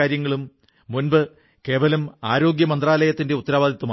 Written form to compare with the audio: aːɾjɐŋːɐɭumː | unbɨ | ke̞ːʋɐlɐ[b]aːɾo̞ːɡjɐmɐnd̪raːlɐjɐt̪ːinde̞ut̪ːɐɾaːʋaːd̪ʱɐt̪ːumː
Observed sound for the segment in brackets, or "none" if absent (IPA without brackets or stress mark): m